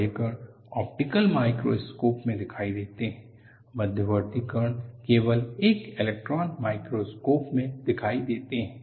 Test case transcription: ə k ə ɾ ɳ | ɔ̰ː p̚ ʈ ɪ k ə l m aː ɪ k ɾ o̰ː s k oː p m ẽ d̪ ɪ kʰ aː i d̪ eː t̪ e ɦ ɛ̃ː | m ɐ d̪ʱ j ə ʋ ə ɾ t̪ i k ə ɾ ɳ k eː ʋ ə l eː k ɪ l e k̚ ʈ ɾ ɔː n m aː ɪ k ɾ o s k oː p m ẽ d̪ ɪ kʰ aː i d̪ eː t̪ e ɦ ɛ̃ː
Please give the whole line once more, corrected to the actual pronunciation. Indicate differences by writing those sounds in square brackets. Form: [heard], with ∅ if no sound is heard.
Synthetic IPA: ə k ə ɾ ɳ | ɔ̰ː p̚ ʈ ɪ k ə l m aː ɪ k ɾ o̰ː s k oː p m ẽ d̪ ɪ kʰ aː i d̪ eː t̪ e ɦ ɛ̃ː | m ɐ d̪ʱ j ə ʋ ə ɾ t̪ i k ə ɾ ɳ k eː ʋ ə l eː k ɪ l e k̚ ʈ ɾ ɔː n m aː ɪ k ɾ o s k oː p m ẽ d̪ ɪ kʰ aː i d̪ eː t̪ e ɦ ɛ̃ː